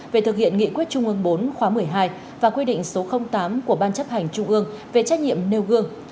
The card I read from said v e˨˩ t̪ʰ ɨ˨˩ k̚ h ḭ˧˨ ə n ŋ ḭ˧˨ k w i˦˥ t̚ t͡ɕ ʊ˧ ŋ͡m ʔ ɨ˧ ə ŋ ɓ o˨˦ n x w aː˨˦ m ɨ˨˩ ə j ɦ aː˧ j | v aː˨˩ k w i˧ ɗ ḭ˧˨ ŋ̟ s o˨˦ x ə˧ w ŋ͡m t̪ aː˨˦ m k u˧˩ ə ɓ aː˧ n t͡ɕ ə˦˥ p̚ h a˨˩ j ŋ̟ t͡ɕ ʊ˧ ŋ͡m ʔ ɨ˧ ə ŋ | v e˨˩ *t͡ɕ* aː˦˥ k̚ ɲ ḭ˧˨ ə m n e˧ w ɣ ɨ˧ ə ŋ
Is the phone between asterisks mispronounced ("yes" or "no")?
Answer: no